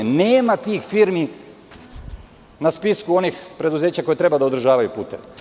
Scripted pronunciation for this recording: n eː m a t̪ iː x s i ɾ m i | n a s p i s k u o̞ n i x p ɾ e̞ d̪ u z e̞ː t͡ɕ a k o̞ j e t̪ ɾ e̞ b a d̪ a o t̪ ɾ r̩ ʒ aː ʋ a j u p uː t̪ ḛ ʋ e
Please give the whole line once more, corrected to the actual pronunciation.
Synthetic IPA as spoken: n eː m a t̪ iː x f i ɾ m i | n a s p i s k u o̞ n i x p ɾ e̞ d̪ u z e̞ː t͡ɕ a k o̞ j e t̪ ɾ e̞ b a d̪ a o d̪ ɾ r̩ ʒ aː ʋ a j u p uː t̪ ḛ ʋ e